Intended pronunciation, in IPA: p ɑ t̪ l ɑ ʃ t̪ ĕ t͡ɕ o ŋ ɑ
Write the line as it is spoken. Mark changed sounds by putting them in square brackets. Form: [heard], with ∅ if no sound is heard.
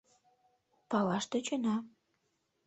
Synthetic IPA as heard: p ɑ [∅] l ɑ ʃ t̪ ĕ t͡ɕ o [n] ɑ